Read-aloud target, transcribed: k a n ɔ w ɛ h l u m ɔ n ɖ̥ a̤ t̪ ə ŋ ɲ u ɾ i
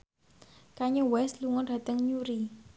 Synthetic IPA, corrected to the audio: k a ɲ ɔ w ɛ s l u ŋ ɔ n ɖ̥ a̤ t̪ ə ŋ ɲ u ɾ i